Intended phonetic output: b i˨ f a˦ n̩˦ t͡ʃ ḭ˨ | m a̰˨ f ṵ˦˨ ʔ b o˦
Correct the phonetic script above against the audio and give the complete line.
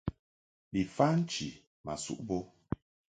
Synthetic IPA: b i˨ f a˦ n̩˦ t͡ʃ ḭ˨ | m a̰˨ s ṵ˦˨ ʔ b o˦